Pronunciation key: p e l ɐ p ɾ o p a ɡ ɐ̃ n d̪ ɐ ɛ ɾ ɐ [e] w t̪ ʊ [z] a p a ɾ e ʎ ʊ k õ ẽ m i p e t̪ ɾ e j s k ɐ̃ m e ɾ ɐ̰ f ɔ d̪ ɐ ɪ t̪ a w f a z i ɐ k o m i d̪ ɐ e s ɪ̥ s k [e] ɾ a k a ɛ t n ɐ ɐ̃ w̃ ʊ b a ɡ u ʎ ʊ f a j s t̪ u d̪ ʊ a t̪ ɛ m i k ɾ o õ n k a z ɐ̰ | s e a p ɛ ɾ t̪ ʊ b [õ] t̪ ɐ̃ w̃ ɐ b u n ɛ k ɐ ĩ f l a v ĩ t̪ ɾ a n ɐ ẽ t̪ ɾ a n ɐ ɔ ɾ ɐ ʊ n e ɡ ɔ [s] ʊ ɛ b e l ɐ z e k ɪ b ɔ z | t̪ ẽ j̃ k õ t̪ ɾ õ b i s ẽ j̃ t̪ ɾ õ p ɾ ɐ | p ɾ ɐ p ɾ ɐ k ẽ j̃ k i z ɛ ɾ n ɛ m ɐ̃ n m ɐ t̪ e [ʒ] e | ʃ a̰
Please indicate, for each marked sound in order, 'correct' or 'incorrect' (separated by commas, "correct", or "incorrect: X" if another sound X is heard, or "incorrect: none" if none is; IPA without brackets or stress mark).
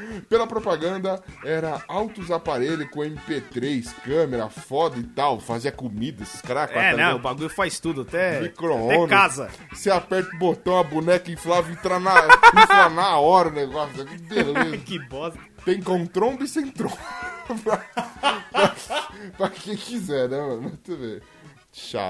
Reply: incorrect: a, correct, incorrect: a, incorrect: o, correct, incorrect: v